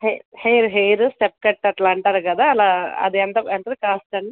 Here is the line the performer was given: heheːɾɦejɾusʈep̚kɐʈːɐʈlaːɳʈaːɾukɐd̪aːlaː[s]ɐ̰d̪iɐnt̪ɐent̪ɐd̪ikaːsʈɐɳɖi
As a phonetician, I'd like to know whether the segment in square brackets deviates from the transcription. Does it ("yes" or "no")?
yes